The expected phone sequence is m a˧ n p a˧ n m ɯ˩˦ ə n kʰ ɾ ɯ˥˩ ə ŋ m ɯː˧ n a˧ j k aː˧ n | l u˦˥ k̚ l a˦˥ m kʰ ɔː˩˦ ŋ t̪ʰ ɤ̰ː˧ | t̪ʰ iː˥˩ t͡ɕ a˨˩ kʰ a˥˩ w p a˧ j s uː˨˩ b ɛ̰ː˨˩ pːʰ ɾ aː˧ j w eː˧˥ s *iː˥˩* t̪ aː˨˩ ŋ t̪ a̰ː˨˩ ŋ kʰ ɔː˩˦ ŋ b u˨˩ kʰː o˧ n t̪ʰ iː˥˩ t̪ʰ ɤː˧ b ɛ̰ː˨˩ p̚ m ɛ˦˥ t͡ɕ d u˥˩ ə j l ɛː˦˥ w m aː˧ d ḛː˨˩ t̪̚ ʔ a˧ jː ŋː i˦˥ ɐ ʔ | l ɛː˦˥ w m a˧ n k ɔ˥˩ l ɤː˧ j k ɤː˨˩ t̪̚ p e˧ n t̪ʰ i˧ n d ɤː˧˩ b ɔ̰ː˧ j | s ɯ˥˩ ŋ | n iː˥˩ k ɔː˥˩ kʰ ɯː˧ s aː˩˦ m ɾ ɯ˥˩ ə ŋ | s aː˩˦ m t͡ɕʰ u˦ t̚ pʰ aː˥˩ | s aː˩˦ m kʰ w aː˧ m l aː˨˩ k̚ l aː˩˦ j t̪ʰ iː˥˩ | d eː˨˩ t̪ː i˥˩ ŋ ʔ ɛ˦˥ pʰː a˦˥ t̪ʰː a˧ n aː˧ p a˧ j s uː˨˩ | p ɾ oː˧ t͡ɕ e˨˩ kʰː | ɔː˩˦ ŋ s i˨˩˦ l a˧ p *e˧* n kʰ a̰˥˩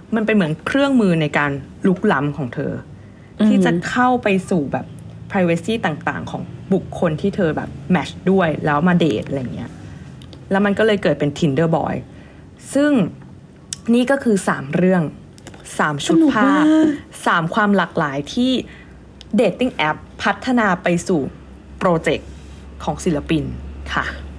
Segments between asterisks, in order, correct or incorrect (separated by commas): correct, incorrect